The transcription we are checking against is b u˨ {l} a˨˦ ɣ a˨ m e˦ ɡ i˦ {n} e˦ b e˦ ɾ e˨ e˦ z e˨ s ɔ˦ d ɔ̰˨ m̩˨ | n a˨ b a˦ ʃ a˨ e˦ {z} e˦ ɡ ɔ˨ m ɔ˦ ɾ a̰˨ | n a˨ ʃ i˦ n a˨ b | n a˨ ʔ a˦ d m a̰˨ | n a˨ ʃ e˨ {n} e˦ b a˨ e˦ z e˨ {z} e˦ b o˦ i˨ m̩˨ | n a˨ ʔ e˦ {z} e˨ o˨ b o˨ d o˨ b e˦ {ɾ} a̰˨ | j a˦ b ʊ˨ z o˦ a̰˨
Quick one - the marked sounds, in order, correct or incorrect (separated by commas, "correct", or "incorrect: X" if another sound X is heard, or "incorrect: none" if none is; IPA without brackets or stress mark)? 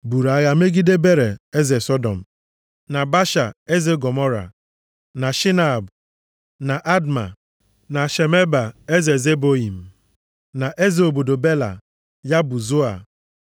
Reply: incorrect: ɾ, incorrect: d, correct, incorrect: m, correct, correct, incorrect: l